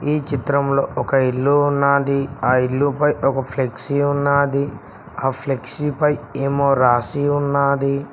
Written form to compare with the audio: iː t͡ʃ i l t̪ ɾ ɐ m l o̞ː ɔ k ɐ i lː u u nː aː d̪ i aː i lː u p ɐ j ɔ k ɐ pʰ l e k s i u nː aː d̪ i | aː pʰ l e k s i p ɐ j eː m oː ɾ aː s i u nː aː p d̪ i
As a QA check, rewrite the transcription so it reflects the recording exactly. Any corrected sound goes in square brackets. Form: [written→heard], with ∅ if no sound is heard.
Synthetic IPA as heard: iː t͡ʃ i [l→∅] t̪ ɾ ɐ m l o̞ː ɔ k ɐ i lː u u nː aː d̪ i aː i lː u p ɐ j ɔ k ɐ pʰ l e k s i u nː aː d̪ i | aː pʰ l e k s i p ɐ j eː m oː ɾ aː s i u nː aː [p→∅] d̪ i